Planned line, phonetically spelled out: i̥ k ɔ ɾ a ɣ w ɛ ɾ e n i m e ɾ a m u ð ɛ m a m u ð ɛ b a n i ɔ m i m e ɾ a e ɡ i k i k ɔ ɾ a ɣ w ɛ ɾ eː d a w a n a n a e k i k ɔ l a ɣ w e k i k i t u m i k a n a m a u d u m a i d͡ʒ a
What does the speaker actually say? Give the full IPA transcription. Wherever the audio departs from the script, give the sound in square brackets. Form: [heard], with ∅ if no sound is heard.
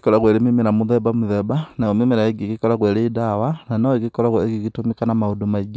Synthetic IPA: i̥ k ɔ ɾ a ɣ w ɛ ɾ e [m] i m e ɾ a m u ð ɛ [b] a m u ð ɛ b a n [a] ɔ m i m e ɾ a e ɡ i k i k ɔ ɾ a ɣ w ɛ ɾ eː d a w a n a n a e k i k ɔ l a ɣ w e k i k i t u m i k a n a m a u d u m a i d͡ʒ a